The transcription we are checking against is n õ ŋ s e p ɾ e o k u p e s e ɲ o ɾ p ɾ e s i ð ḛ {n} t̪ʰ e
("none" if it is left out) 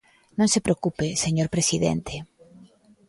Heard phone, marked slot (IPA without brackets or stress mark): n